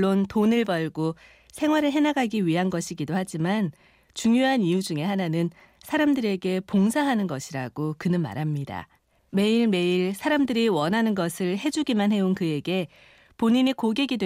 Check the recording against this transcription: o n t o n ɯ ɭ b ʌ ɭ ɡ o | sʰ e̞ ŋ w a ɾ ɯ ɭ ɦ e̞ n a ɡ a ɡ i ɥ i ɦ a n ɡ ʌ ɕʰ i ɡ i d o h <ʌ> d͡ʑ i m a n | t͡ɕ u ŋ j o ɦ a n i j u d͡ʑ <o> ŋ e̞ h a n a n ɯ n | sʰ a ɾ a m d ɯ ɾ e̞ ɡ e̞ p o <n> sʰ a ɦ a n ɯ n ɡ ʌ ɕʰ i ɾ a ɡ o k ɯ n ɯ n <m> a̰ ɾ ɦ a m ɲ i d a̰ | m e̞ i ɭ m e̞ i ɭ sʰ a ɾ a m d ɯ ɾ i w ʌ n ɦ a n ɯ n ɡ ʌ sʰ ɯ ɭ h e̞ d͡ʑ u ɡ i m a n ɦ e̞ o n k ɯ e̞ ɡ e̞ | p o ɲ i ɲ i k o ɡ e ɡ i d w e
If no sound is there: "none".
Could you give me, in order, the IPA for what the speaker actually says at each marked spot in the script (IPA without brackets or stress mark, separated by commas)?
a, u, ŋ, m